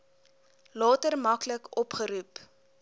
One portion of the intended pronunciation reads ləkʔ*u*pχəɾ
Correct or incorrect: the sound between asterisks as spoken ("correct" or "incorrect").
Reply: incorrect